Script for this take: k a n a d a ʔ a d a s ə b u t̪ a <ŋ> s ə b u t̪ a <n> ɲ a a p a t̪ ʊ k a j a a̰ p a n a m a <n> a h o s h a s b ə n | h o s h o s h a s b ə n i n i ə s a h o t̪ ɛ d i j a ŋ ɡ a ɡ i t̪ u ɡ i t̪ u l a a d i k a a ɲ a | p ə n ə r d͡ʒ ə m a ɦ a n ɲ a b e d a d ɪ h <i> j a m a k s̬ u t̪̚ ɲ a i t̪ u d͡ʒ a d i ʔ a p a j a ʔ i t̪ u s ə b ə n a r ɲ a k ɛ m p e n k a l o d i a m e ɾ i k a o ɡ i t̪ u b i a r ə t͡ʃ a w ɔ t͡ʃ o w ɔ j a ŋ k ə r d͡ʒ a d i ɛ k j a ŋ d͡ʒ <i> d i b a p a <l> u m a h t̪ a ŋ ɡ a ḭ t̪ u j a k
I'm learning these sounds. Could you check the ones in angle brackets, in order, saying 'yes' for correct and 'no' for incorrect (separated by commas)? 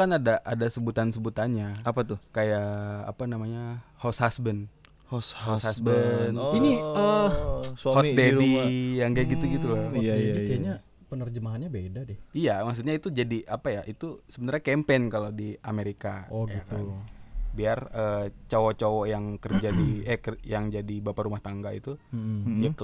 no, yes, no, yes, no, no